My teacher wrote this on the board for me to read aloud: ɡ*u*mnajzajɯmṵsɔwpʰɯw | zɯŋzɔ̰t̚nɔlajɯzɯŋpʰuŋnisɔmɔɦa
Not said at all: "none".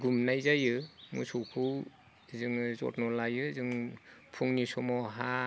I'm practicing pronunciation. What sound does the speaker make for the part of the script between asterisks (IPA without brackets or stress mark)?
u